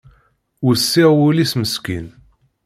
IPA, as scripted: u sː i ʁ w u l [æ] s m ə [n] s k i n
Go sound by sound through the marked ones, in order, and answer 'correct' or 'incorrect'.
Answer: incorrect: i, incorrect: none

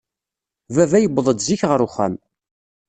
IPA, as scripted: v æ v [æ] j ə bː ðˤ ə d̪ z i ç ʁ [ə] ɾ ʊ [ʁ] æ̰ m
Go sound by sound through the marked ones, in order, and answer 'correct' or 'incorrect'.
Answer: correct, correct, incorrect: χ

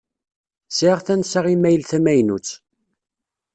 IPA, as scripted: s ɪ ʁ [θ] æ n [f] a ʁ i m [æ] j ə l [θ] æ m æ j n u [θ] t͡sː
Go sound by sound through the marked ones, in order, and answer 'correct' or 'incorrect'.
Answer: correct, incorrect: s, correct, correct, incorrect: none

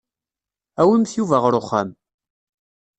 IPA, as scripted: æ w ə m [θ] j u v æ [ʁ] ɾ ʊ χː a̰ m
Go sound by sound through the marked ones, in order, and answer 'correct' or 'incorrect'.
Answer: correct, correct

